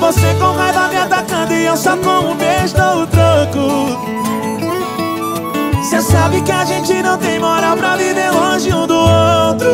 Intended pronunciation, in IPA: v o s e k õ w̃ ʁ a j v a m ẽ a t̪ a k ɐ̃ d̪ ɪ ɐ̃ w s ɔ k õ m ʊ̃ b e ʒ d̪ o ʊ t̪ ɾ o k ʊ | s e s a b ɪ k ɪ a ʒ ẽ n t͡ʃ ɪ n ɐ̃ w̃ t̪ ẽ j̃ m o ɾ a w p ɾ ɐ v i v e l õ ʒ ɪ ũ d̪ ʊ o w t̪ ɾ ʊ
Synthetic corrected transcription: v o s e k õ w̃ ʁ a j v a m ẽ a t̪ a k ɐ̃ d̪ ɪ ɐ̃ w s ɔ k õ m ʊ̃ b e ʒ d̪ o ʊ t̪ ɾ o k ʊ | s e s a b ɪ k ɪ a ʒ ẽ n t͡ʃ ɪ n ɐ̃ w̃ t̪ ẽ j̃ m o ɾ a w p ɾ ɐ v i v e l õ ʒ ɪ ũ d̪ ʊ o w t̪ ɾ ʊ